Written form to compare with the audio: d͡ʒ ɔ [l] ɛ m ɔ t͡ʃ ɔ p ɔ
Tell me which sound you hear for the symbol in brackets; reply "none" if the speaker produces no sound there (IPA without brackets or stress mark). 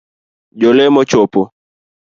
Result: l